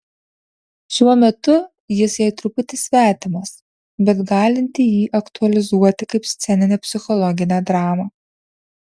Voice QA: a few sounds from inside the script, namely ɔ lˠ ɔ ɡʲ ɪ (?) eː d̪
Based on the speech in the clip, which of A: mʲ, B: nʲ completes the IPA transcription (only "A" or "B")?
B